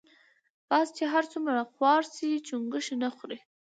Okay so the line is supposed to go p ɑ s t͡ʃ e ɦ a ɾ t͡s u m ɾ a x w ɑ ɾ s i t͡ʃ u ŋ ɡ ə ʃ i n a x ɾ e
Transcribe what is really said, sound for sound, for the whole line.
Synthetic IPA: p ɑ s t͡ʃ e ɦ a ɾ t͡s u m ɾ a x w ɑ ɾ s i t͡ʃ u ŋ ɡ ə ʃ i n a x ɾ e